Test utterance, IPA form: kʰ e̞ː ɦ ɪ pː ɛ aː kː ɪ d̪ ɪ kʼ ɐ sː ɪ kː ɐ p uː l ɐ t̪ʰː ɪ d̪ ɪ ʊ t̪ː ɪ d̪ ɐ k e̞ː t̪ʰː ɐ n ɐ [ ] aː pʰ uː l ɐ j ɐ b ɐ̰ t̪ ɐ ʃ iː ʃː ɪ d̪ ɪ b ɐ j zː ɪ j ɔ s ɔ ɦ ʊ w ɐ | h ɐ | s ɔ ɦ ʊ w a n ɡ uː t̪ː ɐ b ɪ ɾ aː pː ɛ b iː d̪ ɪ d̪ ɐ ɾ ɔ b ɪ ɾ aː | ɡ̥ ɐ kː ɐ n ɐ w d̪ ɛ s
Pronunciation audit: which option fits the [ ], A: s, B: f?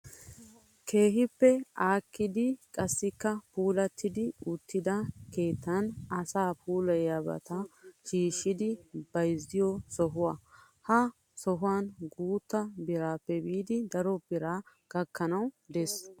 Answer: A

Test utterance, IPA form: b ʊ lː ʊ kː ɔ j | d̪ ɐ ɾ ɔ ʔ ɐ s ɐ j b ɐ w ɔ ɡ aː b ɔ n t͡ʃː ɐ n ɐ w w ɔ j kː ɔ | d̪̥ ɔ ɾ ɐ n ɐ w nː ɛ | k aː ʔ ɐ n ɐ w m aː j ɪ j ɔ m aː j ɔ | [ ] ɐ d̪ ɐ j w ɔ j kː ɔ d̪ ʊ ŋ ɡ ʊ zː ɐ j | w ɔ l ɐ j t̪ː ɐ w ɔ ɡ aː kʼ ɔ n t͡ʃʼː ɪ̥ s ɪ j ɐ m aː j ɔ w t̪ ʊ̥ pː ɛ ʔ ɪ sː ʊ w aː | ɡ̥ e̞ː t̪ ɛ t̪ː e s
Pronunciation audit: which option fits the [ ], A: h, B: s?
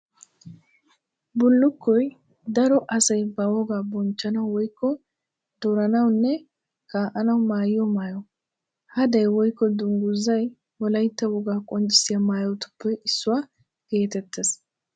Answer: A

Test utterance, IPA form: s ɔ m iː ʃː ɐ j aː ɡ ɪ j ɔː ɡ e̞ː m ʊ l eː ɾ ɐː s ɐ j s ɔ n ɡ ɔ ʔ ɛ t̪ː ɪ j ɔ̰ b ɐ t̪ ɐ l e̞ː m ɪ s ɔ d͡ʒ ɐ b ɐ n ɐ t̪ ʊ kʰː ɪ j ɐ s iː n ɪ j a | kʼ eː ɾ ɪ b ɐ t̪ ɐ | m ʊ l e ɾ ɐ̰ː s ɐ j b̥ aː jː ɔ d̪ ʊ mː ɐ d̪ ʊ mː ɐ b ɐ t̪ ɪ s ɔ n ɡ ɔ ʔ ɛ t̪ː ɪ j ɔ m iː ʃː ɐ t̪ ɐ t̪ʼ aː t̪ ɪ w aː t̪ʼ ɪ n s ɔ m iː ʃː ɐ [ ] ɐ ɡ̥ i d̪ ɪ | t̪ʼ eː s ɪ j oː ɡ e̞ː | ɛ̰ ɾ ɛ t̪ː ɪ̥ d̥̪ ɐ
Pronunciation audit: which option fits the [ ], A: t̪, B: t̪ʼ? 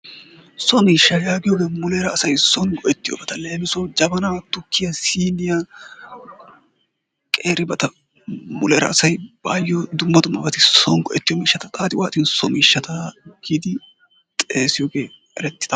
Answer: A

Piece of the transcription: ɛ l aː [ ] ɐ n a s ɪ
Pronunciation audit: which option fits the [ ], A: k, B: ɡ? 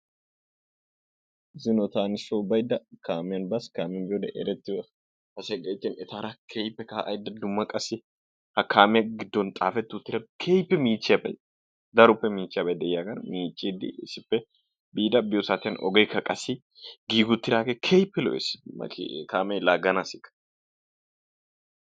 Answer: B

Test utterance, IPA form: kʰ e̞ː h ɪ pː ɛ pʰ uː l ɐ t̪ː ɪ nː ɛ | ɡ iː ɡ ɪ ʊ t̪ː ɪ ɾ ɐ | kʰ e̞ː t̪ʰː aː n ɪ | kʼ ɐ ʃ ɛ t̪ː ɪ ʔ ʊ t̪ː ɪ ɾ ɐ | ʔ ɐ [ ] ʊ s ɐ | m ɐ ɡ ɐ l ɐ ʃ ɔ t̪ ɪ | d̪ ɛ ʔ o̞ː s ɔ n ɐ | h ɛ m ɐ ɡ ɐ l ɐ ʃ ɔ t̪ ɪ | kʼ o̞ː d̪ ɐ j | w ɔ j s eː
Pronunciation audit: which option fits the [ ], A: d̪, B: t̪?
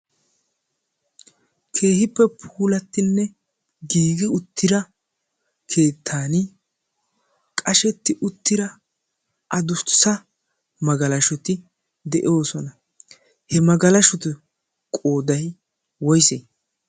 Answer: A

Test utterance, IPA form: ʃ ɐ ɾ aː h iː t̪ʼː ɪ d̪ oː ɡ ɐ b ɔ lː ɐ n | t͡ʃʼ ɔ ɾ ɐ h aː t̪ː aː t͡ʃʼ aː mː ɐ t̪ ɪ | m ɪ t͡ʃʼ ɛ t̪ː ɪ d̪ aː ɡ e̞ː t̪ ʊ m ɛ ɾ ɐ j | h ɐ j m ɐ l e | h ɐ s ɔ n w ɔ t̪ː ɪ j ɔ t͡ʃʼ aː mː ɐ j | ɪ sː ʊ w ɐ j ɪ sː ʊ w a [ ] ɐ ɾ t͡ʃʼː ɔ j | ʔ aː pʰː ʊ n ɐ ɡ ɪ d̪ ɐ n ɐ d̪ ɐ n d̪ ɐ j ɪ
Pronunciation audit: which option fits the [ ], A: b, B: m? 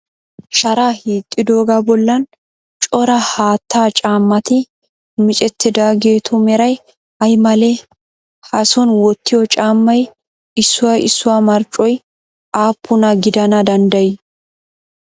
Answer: B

